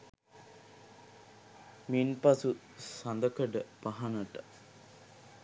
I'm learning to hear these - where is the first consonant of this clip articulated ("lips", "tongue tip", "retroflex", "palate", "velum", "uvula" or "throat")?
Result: lips